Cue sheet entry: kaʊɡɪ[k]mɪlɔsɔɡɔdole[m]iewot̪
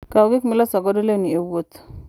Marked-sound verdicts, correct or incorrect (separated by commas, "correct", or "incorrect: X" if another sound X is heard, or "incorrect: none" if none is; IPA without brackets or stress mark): correct, incorrect: n